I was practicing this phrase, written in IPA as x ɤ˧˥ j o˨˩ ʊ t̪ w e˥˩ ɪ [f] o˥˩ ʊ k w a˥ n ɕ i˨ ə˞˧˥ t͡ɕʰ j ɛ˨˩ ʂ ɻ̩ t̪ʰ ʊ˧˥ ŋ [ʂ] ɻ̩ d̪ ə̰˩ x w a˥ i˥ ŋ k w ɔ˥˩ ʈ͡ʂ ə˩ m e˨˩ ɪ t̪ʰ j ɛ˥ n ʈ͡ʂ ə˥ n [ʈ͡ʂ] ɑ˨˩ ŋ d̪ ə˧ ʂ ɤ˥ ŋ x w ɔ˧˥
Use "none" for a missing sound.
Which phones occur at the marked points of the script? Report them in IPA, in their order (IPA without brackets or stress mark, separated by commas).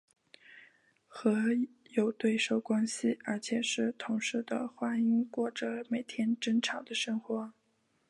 ʂ, ʂ, ʈ͡ʂʰ